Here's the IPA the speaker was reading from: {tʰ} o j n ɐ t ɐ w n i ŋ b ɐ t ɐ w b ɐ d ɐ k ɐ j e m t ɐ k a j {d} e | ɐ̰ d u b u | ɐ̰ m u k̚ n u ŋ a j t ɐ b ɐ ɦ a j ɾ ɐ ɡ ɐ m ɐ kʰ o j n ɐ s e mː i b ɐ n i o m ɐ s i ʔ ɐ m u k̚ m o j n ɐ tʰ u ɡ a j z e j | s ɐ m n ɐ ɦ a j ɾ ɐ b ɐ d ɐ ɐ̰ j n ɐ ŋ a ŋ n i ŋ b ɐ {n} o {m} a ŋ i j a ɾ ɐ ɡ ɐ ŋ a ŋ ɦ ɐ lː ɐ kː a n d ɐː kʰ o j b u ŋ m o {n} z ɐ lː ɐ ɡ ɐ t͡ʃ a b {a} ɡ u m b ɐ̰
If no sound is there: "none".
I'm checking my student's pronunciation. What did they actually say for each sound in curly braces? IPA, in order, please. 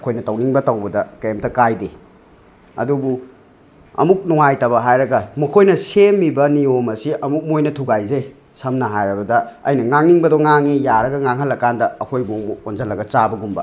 kʰ, d, d, ŋ, n, ɐ

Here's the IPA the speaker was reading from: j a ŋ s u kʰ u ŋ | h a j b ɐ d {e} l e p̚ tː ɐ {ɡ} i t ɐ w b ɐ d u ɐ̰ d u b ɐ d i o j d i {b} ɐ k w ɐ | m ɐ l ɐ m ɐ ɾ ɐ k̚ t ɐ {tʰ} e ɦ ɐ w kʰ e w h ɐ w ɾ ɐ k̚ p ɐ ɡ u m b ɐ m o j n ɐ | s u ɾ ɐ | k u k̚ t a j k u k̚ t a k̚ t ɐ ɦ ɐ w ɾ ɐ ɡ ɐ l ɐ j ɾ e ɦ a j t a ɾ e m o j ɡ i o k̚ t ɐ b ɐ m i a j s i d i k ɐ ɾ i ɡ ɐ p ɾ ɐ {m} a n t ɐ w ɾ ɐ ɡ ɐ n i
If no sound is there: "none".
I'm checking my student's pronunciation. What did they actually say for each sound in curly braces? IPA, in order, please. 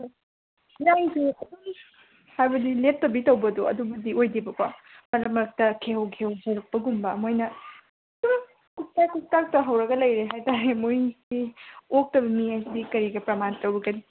i, b, b, kʰ, m

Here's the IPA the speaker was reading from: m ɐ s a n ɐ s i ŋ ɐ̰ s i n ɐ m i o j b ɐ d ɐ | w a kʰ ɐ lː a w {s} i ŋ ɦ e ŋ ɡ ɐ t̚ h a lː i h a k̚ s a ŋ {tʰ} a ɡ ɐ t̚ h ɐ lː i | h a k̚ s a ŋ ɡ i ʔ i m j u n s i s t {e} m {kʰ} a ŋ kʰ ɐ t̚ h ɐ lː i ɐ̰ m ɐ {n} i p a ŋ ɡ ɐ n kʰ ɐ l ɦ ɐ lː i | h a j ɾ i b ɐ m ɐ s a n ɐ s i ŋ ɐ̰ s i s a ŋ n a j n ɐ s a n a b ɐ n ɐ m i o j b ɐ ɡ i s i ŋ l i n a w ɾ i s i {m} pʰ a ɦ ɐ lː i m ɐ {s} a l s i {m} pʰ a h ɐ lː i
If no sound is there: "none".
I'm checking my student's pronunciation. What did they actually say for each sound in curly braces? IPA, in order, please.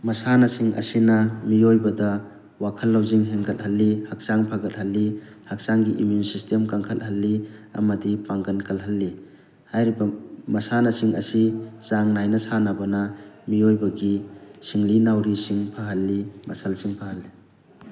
z, pʰ, e, k, d, ŋ, s, ŋ

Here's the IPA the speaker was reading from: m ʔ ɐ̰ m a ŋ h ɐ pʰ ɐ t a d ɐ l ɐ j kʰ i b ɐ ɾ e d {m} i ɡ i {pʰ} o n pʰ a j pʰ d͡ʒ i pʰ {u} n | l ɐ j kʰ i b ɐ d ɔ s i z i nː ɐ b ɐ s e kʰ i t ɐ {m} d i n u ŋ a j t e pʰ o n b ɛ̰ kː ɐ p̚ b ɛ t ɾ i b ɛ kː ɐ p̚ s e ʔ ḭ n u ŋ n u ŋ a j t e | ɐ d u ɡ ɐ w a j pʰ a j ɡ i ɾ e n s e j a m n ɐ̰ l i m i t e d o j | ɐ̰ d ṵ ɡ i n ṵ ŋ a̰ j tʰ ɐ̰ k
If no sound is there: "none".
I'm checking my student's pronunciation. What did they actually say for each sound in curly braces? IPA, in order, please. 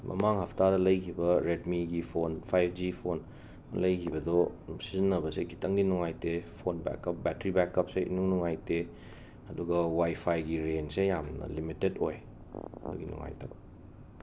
m, pʰ, o, ŋ

